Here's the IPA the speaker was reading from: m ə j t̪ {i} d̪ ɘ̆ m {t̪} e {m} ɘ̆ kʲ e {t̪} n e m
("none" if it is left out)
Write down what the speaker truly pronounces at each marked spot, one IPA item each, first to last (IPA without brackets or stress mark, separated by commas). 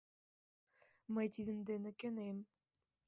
i, d̪, n, none